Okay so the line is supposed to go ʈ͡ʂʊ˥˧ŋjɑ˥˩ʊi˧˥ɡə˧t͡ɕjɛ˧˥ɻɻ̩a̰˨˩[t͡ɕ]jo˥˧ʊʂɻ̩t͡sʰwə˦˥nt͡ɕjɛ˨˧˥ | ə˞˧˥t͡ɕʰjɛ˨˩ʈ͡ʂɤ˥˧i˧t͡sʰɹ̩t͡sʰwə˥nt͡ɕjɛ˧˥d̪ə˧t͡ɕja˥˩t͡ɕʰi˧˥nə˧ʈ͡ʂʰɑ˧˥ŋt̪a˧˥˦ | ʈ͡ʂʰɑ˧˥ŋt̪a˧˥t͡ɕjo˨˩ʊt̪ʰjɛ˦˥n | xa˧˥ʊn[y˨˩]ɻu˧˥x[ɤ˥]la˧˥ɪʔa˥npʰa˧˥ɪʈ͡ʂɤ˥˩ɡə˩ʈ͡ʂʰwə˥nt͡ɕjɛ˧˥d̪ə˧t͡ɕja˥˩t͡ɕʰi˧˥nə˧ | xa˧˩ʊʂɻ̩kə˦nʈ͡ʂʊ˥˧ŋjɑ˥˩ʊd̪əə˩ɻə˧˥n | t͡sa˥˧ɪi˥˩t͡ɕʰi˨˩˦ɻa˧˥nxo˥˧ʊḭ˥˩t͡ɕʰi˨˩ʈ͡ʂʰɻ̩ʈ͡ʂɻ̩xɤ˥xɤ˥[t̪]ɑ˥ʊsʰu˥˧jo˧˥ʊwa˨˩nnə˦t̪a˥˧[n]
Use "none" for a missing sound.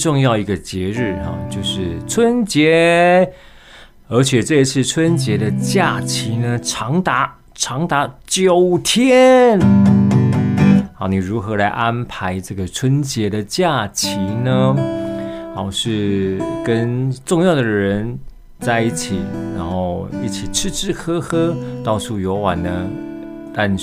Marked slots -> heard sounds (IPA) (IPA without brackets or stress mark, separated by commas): t͡ɕ, i˨˩, ɤ˧˥, t̪, n